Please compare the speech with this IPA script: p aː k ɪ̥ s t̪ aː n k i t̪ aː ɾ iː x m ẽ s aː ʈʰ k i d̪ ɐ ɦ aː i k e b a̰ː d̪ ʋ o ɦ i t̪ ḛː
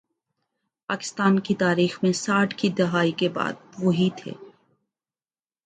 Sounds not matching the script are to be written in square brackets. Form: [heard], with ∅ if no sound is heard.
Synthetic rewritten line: p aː k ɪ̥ s t̪ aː n k i t̪ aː ɾ iː x m ẽ s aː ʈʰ k i d̪ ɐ ɦ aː i k e b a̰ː d̪ ʋ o ɦ i [t̪ʰ] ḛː